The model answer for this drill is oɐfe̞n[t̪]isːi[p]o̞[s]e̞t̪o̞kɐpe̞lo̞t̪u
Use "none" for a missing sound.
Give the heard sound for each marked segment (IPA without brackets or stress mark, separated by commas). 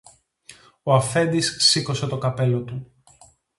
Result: d̪, k, s